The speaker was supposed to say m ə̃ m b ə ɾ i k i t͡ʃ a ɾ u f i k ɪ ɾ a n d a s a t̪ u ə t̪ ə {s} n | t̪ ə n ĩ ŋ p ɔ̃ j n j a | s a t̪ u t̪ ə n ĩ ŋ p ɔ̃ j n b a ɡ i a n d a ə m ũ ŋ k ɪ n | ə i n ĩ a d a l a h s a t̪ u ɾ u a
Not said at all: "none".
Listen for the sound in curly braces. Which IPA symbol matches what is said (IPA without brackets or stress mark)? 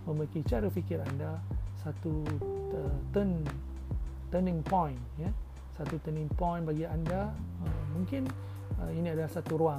none